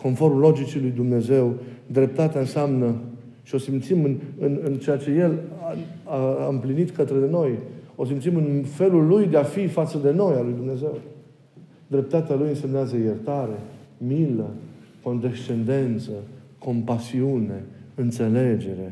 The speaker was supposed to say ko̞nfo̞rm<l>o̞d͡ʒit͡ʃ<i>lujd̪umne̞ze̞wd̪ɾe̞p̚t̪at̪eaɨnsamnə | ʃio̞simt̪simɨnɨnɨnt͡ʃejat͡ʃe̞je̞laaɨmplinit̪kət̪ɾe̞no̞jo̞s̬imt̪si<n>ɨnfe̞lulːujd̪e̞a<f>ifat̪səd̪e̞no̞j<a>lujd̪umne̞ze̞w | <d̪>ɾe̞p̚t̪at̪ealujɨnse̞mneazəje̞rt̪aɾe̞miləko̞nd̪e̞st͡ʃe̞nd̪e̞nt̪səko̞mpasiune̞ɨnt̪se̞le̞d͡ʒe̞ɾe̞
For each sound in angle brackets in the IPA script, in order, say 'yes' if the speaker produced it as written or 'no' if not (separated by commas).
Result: yes, yes, no, yes, yes, yes